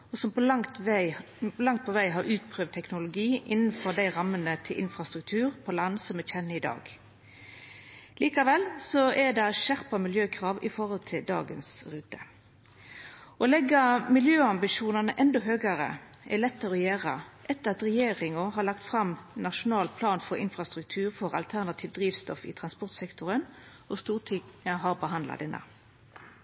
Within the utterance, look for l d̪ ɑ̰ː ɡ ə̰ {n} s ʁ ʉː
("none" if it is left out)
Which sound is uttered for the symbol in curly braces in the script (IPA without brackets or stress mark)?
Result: n